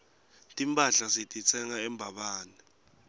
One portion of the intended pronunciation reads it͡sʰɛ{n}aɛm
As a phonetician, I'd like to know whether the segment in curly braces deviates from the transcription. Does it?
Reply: yes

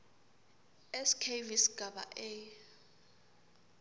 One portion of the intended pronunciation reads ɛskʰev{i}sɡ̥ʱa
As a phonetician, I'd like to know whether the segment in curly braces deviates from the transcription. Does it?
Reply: no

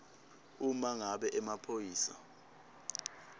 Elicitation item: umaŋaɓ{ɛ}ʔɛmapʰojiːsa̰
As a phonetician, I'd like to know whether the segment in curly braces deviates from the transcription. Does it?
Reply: no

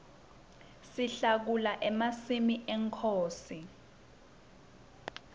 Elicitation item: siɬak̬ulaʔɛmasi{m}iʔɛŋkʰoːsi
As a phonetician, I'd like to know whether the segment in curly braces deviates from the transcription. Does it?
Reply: no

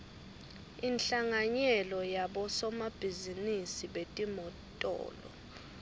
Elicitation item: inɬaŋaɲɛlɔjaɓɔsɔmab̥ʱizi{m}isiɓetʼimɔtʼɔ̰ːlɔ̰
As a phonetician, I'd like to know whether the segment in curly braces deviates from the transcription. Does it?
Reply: yes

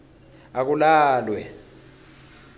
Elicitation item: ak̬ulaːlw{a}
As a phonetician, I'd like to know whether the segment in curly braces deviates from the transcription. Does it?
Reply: yes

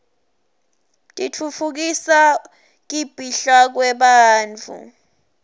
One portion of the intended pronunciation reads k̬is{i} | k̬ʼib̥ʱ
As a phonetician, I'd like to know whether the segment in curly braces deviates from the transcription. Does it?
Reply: yes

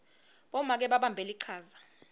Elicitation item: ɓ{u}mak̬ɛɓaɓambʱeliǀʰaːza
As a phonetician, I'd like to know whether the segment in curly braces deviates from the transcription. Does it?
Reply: yes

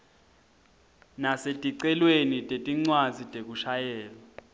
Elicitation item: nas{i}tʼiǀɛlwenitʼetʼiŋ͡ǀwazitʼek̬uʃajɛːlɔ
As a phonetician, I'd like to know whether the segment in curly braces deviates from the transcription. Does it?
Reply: yes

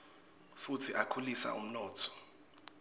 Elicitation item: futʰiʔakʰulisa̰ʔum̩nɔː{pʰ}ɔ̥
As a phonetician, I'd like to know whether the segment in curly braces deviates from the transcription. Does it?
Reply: yes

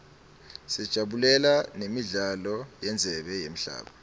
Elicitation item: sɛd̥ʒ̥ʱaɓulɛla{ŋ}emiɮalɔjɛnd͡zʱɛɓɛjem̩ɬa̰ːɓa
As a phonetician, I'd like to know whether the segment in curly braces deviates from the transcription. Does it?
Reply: yes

